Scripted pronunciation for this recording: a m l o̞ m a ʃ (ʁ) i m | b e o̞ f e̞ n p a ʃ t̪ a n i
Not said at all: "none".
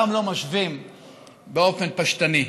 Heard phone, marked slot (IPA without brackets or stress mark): v